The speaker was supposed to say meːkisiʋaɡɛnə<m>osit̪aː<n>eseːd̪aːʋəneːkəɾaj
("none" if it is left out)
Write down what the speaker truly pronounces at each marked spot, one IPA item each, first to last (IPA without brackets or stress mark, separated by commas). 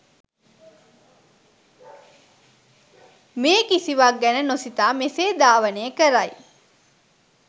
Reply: n, m